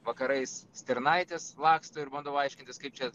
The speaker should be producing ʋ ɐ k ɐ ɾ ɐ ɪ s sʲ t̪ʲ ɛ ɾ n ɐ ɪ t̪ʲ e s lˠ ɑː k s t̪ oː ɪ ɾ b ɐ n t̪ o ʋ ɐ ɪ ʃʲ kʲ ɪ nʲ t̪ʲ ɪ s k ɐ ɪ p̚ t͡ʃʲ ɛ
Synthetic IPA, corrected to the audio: ʋ ɐ k ɐ ɾ ɐ ɪ s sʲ t̪ʲ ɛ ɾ n ɐ ɪ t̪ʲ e s lˠ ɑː k s t̪ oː ɪ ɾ b ɐ n d̪ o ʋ ɐ ɪ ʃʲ kʲ ɪ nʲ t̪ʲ ɪ s k ɐ ɪ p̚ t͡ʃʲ ɛ